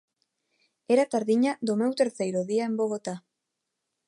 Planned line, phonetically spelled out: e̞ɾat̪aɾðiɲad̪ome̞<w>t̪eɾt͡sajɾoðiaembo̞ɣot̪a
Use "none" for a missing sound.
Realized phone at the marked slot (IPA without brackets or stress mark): w